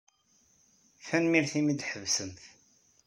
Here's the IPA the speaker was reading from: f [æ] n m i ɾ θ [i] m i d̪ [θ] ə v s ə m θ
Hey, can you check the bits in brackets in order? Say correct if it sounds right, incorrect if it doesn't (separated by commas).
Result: correct, correct, incorrect